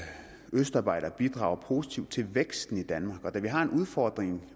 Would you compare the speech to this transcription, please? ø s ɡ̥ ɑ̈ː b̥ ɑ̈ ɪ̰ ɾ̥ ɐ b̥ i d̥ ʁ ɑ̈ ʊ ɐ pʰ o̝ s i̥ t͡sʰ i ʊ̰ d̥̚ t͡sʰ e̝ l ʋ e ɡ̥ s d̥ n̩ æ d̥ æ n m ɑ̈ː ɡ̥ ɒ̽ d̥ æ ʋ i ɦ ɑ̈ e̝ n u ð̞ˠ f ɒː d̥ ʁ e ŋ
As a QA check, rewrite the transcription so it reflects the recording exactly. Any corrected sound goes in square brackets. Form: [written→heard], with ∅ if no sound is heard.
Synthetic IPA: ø s [ɡ̥→d̥] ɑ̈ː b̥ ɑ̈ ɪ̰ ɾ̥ ɐ b̥ i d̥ ʁ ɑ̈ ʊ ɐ pʰ o̝ s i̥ t͡sʰ i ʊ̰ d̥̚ t͡sʰ e̝ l ʋ e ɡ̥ s d̥ n̩ [æ→i] d̥ æ n m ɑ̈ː ɡ̥ ɒ̽ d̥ æ ʋ i ɦ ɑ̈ e̝ n u ð̞ˠ f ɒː d̥ ʁ e ŋ